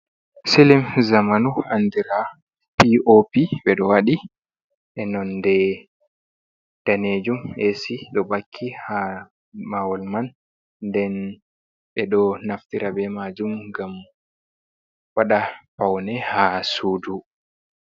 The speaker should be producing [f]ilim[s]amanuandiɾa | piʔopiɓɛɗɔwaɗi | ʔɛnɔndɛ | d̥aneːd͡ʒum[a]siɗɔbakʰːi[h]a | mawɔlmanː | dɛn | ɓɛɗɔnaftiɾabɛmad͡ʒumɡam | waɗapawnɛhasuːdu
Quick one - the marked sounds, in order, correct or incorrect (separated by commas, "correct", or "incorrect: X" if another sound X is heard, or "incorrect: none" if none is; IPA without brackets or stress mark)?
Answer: incorrect: s, incorrect: z, incorrect: e, correct